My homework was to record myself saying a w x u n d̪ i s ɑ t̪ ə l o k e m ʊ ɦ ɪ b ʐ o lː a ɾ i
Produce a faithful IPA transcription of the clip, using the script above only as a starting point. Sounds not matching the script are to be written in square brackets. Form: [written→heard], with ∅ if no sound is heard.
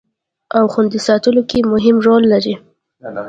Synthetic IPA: a w x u n d̪ i s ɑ t̪ ə l o k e m ʊ ɦ ɪ [b→m] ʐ o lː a ɾ i